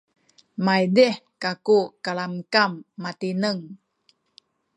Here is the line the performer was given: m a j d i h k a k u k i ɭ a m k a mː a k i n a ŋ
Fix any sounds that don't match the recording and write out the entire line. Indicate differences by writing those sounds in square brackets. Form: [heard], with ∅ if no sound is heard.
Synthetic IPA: m a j d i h k a k u k [a] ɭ a m k a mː a [t] i n [ə] ŋ